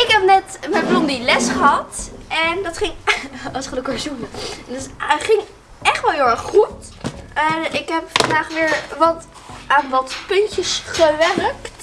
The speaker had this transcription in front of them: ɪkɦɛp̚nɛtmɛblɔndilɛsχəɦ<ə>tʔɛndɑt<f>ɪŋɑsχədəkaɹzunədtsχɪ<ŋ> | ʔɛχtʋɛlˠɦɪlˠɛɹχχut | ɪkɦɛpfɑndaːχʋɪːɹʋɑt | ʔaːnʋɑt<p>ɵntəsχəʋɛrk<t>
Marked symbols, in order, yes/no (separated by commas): no, no, yes, yes, yes